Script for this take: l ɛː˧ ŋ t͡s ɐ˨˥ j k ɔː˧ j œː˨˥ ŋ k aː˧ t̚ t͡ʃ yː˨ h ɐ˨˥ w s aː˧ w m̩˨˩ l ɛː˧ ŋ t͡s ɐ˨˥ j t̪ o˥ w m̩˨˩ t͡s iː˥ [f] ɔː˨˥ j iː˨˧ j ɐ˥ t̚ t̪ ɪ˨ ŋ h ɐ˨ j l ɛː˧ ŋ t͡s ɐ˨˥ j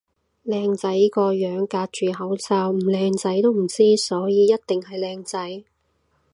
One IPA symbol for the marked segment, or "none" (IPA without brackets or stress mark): s